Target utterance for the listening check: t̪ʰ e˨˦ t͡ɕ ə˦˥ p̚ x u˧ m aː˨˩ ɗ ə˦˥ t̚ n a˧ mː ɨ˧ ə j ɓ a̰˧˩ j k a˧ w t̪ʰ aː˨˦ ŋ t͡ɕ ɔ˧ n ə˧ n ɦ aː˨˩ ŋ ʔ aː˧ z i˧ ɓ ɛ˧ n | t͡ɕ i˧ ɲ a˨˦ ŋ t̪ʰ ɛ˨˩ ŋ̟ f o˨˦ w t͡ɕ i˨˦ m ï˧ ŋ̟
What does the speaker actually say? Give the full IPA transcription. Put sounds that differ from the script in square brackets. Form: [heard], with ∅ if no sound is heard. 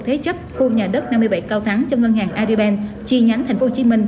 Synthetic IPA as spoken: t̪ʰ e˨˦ t͡ɕ ə˦˥ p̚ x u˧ [ɲ] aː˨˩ ɗ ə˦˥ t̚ n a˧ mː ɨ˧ ə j ɓ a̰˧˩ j k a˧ w t̪ʰ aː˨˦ ŋ t͡ɕ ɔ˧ [ŋ] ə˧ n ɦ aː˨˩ ŋ ʔ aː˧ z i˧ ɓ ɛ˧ n | t͡ɕ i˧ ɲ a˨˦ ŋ t̪ʰ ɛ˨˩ ŋ̟ f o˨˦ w t͡ɕ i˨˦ m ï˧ ŋ̟